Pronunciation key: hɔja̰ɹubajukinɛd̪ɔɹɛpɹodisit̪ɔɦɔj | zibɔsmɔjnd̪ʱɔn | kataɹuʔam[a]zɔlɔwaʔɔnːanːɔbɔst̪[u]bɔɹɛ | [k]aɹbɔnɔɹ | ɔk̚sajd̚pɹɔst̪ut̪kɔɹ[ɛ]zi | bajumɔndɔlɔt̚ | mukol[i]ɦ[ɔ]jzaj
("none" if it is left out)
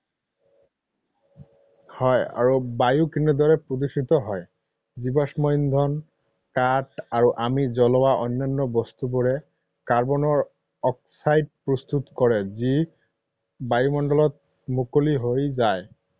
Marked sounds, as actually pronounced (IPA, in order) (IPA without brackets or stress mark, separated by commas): i, u, k, ɛ, i, o